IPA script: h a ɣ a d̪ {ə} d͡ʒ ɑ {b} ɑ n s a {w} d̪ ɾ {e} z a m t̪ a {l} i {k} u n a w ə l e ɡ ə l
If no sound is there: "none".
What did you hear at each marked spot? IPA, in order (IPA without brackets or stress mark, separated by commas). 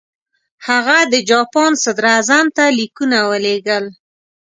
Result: ə, p, none, a, l, k